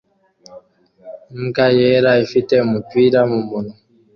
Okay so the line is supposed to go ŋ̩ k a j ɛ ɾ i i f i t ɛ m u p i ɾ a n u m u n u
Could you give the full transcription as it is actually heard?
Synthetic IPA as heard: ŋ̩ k a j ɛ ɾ a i f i t ɛ m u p i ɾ a m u m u n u